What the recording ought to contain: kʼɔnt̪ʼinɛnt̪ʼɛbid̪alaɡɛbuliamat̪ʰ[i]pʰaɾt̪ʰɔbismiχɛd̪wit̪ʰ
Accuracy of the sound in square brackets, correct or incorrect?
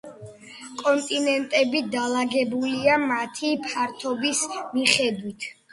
correct